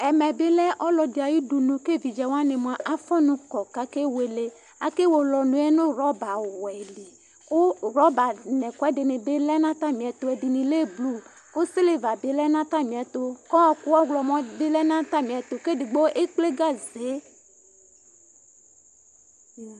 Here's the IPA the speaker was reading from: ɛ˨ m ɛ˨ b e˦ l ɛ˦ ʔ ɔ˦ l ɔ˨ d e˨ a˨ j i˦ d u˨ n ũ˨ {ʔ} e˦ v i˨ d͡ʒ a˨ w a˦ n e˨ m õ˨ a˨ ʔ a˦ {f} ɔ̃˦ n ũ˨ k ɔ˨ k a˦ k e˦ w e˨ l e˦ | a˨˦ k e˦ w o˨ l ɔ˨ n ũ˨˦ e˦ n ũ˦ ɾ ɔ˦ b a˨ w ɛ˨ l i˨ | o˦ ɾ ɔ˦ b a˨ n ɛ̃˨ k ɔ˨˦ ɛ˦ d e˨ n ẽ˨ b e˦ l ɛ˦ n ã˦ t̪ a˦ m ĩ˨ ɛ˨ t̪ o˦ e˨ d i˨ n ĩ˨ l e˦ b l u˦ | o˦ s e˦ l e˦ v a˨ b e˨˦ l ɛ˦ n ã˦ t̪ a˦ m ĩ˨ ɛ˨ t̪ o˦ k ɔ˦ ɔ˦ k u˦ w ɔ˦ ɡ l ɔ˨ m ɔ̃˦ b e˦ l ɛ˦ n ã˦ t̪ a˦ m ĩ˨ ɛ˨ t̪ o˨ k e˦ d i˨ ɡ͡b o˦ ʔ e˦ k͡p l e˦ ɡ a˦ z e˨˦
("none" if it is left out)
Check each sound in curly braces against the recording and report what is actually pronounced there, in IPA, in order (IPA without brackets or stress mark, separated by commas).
k, f